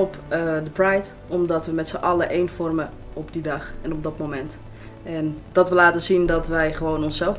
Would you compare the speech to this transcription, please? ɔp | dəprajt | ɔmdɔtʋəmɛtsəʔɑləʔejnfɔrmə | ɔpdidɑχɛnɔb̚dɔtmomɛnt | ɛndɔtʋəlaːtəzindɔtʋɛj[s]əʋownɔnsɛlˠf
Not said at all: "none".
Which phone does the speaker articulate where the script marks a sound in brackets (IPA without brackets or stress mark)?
χ